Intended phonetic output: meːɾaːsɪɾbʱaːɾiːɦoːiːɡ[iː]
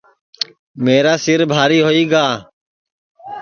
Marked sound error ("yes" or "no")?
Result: yes